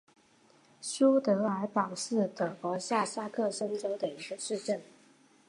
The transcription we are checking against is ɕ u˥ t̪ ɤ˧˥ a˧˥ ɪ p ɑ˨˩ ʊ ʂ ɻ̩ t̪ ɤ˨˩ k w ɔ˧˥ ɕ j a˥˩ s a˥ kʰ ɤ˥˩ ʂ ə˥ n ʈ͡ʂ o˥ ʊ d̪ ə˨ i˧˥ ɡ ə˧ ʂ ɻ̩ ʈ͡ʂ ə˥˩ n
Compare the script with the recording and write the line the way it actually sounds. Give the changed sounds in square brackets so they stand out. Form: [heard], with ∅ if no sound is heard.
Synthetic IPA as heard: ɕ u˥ t̪ ɤ˧˥ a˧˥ ɪ p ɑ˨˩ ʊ ʂ ɻ̩ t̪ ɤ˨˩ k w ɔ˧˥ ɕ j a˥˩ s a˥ kʰ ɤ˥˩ ʂ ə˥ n ʈ͡ʂ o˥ ʊ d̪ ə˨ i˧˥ ɡ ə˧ ʂ ɻ̩ ʈ͡ʂ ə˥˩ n